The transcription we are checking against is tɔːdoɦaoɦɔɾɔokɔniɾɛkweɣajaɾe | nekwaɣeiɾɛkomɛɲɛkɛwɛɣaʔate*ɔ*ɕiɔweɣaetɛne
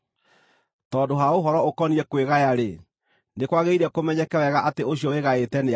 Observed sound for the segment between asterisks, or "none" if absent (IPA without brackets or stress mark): o